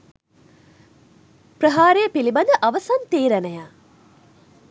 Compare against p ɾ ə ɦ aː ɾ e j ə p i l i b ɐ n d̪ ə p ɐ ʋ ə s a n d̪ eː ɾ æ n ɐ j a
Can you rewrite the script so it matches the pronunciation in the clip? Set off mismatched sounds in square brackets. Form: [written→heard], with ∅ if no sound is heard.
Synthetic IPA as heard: p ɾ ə ɦ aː ɾ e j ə p i l i b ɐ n d̪ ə [p→ʔ] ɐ ʋ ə s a n [d̪→t̪] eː ɾ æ n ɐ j a

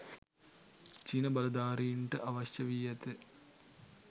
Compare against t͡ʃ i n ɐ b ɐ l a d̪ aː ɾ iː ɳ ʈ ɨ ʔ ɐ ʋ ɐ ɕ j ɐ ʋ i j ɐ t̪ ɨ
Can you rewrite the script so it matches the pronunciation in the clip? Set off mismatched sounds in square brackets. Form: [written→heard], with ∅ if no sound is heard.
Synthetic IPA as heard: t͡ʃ i n ɐ b ɐ l [a→ɐ] d̪ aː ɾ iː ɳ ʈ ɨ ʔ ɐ ʋ ɐ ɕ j ɐ ʋ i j ɐ t̪ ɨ

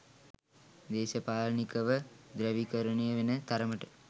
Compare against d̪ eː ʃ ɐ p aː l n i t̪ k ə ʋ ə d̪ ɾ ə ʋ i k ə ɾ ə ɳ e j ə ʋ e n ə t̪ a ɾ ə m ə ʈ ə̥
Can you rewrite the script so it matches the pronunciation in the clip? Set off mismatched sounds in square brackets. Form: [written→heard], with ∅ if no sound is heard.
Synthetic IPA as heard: d̪ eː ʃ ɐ p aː l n i [t̪→∅] k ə ʋ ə d̪ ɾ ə ʋ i k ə ɾ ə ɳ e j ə ʋ e n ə t̪ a ɾ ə m ə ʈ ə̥

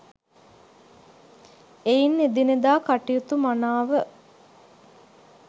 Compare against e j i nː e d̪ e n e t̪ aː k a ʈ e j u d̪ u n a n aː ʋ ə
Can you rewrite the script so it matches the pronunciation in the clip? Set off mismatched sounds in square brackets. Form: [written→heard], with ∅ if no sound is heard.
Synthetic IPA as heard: e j i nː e d̪ [e→i] n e [t̪→d̪] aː k a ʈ [e→i] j u [d̪→t̪] u [n→m] a n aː ʋ ə

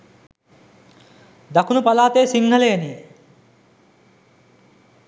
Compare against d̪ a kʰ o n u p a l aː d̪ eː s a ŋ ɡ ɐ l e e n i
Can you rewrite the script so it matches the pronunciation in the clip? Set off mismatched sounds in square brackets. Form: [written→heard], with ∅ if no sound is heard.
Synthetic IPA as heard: d̪ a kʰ [o→u] n u p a l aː [d̪→t̪] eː s [a→i] ŋ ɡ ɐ l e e n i

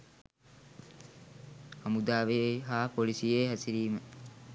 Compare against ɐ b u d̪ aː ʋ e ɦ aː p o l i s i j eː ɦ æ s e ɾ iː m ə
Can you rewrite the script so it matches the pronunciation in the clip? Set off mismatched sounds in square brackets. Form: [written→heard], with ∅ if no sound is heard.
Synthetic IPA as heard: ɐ [b→m] u d̪ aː ʋ e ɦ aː p o l i s i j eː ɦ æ s [e→i] ɾ iː m ə

